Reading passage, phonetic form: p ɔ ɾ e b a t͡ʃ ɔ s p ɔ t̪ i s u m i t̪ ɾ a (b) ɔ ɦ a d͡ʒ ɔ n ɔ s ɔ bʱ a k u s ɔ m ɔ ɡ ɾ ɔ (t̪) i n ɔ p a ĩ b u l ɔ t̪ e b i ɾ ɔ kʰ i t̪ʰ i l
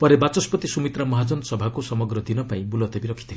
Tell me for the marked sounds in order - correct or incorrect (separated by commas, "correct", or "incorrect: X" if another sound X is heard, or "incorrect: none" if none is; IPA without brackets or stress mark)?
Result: incorrect: m, incorrect: d̪